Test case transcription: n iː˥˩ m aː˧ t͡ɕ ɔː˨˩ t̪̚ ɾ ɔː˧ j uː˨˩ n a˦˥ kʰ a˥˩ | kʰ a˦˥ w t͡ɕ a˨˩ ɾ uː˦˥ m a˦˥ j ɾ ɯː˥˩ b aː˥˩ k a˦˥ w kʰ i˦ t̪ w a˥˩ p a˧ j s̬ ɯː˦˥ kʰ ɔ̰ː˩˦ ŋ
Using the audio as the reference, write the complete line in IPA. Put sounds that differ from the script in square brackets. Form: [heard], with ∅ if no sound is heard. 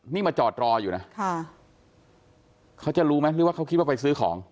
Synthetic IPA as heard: n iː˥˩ m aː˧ t͡ɕ ɔː˨˩ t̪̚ ɾ ɔː˧ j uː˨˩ n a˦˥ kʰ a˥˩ | kʰ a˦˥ w t͡ɕ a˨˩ ɾ uː˦˥ m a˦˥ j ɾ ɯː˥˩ [w] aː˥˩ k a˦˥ w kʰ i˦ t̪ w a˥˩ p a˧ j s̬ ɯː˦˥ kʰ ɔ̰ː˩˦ ŋ